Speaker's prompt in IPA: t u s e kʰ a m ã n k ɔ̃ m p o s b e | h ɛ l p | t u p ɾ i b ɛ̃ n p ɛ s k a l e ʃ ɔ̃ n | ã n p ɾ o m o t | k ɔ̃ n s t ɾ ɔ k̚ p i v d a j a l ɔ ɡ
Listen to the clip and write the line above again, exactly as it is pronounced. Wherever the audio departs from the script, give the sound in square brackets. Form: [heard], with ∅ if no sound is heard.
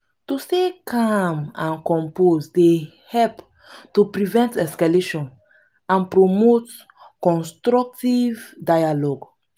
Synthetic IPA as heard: t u s e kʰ a m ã n k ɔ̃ m p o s [d] e | h ɛ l p | t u p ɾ i [v] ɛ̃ n [t] ɛ s k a l e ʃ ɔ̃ n | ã n p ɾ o m o t | k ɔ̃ n s t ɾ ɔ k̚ [t] i v d a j a l ɔ ɡ